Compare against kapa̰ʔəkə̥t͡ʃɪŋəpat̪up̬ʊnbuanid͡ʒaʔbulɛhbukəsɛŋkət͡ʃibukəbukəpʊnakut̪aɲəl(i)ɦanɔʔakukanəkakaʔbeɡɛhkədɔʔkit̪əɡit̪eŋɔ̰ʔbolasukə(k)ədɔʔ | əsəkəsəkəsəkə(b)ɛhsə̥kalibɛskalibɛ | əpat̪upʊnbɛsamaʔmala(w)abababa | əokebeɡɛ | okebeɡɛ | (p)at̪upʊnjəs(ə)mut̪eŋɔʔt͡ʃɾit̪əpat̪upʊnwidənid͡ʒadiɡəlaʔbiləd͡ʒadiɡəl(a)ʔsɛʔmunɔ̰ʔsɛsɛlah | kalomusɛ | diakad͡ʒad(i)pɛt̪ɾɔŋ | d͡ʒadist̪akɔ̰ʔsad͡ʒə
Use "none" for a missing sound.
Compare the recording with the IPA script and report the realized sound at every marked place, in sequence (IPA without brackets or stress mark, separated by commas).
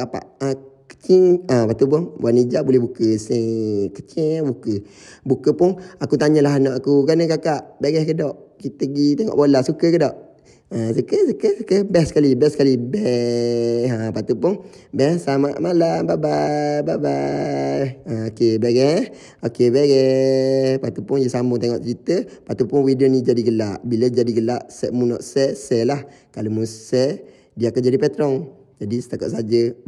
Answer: a, k, b, b, p, a, a, i